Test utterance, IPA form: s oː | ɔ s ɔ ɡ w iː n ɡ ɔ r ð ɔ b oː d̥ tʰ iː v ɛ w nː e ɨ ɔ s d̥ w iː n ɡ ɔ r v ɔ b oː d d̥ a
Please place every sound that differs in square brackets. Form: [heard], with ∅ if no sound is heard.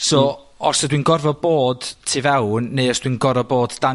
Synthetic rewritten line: s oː | ɔ s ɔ [d] w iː n ɡ ɔ r [v] ɔ b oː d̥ tʰ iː v ɛ w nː e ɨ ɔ s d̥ w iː n ɡ ɔ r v ɔ b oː d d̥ a